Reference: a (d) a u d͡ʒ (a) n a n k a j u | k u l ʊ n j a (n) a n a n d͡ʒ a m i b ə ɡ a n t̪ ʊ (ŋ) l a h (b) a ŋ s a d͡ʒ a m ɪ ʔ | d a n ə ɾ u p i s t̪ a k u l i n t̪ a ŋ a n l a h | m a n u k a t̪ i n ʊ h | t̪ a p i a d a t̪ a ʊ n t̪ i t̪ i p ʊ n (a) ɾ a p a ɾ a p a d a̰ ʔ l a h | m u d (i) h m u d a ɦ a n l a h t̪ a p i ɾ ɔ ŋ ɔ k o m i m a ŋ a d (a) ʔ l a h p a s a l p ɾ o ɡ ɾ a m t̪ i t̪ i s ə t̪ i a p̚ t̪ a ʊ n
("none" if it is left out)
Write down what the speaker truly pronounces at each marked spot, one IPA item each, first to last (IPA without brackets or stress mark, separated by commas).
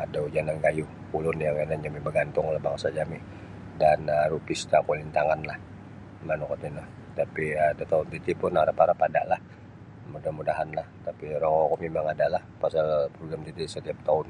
d, a, ŋ, ŋ, b, a, a, a